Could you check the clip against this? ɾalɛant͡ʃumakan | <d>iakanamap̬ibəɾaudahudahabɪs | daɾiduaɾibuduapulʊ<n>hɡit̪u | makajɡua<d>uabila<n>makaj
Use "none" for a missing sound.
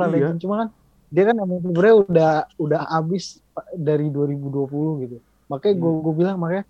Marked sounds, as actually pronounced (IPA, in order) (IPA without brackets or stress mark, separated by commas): d, none, ɡ, ŋ